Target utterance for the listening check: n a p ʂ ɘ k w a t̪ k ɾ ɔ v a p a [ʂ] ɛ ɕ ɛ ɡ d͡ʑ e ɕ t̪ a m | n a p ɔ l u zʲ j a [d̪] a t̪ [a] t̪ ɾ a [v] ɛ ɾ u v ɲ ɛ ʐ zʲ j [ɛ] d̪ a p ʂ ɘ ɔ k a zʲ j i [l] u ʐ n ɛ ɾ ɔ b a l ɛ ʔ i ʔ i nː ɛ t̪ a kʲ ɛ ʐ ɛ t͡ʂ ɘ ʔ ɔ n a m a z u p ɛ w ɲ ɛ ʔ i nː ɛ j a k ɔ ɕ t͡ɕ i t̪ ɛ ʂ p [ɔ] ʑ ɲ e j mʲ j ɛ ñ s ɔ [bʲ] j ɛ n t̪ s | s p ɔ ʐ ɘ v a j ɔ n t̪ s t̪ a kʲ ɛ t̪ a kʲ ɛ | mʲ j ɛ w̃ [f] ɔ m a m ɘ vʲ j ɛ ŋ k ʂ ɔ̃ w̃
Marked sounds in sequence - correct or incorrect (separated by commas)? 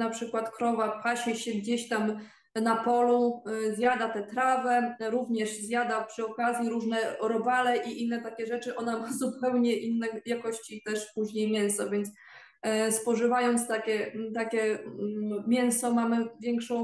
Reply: incorrect, correct, incorrect, correct, incorrect, incorrect, incorrect, incorrect, incorrect